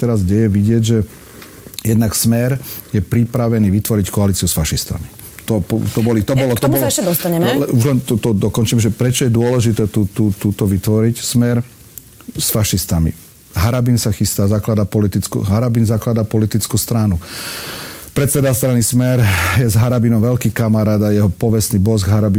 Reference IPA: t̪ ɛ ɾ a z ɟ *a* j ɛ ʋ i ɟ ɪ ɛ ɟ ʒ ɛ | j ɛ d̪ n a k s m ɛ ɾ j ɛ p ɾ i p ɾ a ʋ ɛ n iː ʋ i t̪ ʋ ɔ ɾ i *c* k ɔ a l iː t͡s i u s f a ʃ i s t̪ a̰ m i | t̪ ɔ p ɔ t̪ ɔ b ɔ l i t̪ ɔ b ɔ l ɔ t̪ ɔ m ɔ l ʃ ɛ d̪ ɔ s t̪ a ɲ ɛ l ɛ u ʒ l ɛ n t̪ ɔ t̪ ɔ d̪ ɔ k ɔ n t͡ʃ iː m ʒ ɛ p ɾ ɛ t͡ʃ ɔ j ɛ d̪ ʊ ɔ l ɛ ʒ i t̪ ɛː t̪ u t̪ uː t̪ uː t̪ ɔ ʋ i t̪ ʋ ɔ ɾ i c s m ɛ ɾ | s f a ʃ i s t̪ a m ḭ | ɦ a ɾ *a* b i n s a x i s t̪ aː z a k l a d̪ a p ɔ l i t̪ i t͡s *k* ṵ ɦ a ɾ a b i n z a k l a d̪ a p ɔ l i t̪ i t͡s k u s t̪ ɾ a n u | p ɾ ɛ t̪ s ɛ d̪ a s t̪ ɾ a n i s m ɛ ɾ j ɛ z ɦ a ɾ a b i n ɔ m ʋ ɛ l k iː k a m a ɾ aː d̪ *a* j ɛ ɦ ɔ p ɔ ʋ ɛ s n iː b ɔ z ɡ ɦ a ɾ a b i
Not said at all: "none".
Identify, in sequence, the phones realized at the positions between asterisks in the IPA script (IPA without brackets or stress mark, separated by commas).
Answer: ɛ, c, a, k, a